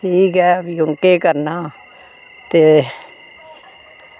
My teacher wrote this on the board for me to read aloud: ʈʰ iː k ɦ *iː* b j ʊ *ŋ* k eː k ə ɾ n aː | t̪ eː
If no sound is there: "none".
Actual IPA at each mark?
ɛː, ŋ

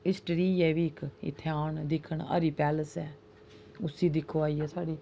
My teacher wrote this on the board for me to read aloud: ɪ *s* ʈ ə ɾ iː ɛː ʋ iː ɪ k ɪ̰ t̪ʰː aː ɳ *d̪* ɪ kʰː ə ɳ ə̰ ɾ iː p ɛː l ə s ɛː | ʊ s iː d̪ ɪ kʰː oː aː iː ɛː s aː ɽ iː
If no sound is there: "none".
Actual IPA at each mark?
s, d̪

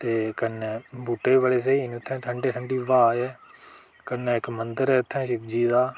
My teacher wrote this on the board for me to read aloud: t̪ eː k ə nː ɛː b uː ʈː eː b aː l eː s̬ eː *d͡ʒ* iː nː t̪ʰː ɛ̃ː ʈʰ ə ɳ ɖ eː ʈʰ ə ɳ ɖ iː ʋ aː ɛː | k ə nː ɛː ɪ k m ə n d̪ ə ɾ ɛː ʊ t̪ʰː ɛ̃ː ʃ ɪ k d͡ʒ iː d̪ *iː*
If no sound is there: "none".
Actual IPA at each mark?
none, aː

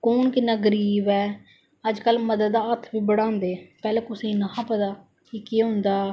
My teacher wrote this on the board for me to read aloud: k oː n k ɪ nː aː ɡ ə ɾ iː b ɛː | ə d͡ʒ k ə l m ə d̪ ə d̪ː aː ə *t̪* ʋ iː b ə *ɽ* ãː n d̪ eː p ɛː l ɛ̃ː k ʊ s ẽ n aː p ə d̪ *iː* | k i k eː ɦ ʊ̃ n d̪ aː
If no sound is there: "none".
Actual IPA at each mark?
t̪ʰ, ɽ, aː

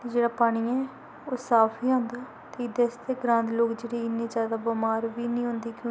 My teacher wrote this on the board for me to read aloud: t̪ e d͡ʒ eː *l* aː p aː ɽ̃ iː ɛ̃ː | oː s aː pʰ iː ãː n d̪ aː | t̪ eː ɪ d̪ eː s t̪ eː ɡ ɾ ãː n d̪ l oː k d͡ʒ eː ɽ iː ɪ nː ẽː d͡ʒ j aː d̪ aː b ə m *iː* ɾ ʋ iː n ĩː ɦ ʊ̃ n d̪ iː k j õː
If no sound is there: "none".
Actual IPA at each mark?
ɽ, aː

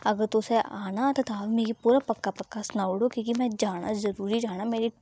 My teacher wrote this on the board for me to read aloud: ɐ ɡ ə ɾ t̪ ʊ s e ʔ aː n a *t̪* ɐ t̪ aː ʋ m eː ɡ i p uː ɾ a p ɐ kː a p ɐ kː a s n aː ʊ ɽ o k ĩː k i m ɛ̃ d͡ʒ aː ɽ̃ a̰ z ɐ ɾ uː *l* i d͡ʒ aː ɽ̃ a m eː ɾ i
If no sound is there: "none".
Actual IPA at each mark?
t̪, ɾ

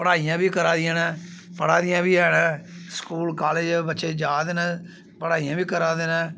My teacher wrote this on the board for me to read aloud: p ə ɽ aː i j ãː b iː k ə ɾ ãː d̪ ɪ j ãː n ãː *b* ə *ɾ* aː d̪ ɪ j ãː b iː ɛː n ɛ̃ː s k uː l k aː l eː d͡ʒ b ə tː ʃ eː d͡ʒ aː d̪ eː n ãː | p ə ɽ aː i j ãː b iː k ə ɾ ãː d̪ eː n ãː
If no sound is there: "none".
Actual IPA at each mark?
p, ɽ

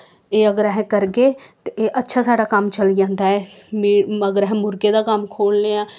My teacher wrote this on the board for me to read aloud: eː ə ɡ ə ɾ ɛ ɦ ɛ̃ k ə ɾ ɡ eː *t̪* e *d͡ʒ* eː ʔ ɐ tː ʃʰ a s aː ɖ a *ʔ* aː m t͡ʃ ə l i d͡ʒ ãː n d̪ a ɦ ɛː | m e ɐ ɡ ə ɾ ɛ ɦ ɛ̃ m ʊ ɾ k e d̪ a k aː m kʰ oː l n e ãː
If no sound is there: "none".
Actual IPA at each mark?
t̪, none, k

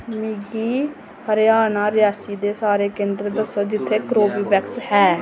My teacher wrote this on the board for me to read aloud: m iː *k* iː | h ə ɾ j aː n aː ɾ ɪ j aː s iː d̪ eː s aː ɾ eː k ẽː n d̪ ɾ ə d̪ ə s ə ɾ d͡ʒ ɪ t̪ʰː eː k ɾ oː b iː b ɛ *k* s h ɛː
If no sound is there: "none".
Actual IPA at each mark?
ɡ, k

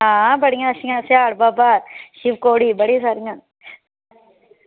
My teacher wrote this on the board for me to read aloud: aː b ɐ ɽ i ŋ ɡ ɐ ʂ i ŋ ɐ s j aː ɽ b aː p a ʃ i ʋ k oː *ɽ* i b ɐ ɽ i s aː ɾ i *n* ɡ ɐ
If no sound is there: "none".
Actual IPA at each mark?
ɽ, ŋ

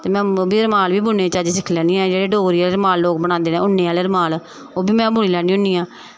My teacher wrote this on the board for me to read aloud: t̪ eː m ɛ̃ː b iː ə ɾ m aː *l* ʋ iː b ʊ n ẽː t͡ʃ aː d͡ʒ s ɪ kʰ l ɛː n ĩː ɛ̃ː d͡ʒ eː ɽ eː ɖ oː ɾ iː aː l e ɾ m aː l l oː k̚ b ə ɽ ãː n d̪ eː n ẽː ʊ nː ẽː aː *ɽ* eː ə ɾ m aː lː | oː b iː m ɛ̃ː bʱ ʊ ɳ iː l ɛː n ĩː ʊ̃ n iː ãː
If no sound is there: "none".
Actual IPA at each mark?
l, l

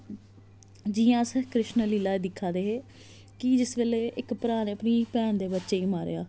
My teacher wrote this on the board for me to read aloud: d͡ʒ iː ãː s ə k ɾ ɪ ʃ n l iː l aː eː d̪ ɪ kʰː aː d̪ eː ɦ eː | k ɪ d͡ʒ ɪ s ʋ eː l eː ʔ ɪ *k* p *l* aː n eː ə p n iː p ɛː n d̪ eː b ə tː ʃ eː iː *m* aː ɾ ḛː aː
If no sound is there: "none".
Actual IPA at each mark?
k, ɾ, m

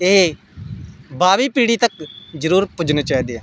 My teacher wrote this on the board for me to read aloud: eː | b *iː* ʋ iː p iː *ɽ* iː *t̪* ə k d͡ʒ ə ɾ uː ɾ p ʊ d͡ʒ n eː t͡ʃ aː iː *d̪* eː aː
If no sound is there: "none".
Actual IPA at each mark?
aː, ɽ, t̪, d̪

